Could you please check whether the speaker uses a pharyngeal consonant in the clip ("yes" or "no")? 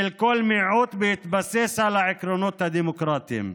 yes